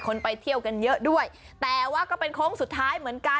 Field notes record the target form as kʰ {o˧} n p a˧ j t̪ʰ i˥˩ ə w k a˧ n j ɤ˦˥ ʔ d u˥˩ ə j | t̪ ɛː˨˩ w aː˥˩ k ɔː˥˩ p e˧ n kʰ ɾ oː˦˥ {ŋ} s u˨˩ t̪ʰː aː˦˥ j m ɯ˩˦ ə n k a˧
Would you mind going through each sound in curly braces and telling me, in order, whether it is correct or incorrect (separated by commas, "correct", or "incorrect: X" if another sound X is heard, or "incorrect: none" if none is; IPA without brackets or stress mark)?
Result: correct, correct